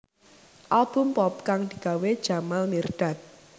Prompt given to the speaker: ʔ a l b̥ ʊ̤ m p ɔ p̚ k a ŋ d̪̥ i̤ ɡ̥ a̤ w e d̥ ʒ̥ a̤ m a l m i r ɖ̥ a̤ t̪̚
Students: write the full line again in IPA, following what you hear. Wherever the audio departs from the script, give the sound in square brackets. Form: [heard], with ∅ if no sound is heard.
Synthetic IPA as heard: ʔ a l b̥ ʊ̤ m p ɔ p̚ k a ŋ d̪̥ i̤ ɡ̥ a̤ w e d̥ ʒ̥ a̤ m a l m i r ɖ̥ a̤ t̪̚